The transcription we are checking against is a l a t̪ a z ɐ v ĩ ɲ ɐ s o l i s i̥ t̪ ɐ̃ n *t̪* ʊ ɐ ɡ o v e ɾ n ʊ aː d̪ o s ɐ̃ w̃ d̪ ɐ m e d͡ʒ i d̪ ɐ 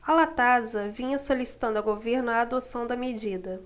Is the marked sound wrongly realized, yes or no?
yes